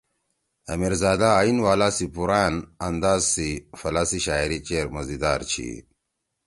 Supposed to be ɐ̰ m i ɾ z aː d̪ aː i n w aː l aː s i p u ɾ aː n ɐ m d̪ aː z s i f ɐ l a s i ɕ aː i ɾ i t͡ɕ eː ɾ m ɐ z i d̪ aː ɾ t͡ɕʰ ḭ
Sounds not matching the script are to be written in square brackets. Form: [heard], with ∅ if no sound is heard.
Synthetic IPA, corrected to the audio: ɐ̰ m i ɾ z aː d̪ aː i n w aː l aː s i p u ɾ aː n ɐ [n] d̪ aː z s i f ɐ l a s i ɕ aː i ɾ i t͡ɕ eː ɾ m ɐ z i d̪ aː ɾ t͡ɕʰ ḭ